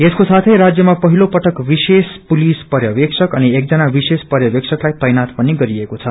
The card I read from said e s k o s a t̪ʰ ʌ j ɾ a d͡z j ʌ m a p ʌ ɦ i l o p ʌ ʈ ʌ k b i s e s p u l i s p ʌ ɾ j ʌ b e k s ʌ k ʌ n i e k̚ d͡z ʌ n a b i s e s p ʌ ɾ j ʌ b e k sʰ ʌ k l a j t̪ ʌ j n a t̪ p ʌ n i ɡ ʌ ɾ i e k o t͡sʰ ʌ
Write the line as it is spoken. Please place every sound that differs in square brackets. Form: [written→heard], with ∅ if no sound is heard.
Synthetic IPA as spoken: e s k o s a t̪ʰ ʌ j ɾ a d͡z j ʌ m a p ʌ ɦ i l o p ʌ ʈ ʌ k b i s e s p u l i s p ʌ ɾ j ʌ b e k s ʌ k ʌ n i e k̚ d͡z ʌ n a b i s e s p ʌ ɾ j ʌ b e k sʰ ʌ k l a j t̪ ʌ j n a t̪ p ʌ n i ɡ ʌ ɾ i e k o t͡sʰ ʌ